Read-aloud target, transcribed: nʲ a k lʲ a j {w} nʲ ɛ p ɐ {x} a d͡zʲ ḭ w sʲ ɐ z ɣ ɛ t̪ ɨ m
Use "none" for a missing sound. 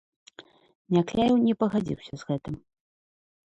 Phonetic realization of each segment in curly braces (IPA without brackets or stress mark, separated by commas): w, ɣ